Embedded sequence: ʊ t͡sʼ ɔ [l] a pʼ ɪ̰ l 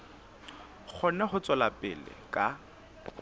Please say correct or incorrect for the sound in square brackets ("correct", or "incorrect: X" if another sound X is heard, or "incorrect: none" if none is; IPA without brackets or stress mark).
correct